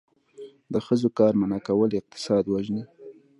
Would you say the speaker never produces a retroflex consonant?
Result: yes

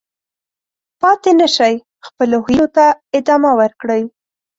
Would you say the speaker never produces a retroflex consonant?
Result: no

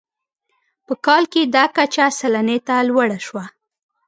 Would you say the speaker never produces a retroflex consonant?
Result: no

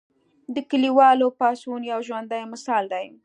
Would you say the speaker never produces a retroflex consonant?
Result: yes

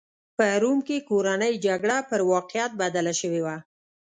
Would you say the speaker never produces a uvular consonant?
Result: no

